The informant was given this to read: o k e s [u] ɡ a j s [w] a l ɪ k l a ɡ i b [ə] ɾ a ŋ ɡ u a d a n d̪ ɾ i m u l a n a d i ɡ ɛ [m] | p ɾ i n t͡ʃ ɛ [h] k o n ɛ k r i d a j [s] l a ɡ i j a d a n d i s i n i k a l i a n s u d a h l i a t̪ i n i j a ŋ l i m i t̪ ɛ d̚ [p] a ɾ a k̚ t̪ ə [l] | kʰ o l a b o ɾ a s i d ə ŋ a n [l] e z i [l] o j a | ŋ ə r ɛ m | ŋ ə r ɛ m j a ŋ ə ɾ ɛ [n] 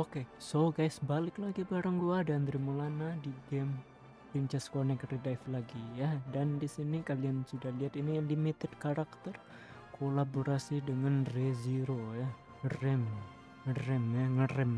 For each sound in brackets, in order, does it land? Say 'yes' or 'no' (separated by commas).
no, no, no, yes, no, no, no, no, no, no, no